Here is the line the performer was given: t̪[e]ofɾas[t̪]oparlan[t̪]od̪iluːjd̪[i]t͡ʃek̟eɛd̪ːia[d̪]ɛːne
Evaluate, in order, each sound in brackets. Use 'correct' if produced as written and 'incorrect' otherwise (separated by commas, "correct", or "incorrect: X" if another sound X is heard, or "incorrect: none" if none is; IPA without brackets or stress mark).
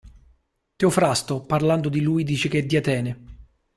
correct, correct, incorrect: d̪, incorrect: iː, incorrect: t̪